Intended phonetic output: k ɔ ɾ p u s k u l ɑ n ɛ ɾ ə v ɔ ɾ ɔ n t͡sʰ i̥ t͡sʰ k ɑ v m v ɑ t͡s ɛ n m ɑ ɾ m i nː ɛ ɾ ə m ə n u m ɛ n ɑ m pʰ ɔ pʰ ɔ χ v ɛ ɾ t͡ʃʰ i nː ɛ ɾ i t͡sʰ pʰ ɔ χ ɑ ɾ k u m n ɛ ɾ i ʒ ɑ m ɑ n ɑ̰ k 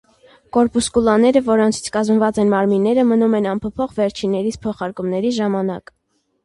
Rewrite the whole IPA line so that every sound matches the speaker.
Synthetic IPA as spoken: k ɔ ɾ p u s k u l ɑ n ɛ ɾ ə v ɔ ɾ ɔ n t͡sʰ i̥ t͡sʰ k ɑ z m v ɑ t͡s ɛ n m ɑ ɾ m i nː ɛ ɾ ə m ə n u m ɛ n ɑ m pʰ ɔ pʰ ɔ χ v ɛ ɾ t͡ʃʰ i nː ɛ ɾ i t͡sʰ pʰ ɔ χ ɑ ɾ k u m n ɛ ɾ i ʒ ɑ m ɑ n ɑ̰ k